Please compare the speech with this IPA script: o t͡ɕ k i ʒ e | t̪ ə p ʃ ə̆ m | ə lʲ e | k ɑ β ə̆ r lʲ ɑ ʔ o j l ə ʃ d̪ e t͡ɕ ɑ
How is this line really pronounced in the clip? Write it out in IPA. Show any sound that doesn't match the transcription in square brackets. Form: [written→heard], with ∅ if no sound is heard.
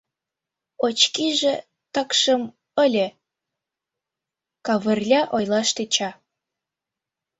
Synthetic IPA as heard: o t͡ɕ k i ʒ e | t̪ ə [p→k] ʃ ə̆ m | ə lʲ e | k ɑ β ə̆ r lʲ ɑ ʔ o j l [ə→ɑ] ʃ [d̪→t̪] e t͡ɕ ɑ